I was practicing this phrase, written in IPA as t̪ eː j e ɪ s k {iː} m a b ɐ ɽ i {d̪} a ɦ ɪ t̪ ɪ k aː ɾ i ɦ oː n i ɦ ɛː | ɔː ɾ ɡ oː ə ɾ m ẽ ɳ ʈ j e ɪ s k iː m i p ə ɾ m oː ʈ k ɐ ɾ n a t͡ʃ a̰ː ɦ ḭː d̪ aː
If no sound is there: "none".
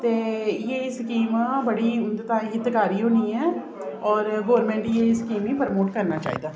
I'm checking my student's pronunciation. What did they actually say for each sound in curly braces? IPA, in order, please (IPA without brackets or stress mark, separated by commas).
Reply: iː, t̪